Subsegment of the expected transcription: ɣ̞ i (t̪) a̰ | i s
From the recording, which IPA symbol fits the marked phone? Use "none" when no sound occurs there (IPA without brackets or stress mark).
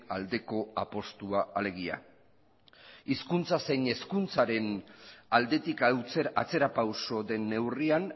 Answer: none